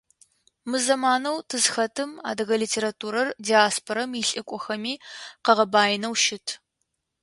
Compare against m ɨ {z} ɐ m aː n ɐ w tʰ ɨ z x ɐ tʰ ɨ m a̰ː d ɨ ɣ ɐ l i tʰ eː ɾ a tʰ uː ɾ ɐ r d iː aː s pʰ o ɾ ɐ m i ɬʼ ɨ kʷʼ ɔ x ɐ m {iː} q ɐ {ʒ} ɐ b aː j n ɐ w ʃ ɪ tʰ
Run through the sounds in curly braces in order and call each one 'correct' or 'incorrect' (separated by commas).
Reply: correct, correct, incorrect